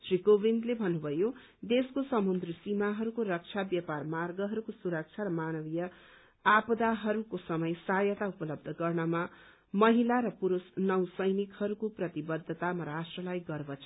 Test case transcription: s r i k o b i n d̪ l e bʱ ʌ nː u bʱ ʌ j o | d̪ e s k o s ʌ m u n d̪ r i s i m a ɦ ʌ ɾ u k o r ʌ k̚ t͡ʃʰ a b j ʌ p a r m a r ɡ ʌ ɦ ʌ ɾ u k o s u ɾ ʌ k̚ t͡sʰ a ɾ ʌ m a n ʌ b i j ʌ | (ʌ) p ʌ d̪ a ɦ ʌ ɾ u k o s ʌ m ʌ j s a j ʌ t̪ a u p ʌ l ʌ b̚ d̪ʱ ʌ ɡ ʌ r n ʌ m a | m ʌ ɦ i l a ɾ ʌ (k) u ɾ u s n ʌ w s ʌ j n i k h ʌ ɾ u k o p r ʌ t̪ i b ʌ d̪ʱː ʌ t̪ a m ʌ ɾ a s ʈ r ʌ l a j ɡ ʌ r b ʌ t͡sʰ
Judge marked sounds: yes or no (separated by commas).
no, no